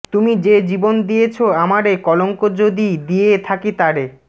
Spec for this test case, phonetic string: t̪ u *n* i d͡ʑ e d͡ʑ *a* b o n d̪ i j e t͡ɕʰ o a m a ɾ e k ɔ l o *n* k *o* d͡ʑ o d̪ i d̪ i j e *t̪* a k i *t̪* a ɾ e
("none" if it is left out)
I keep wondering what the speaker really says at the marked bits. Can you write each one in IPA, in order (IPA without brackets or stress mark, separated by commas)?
m, i, ŋ, o, t̪ʰ, t̪